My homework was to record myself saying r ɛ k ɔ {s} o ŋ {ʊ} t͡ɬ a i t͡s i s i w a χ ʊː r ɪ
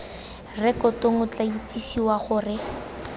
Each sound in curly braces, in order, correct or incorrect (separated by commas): incorrect, correct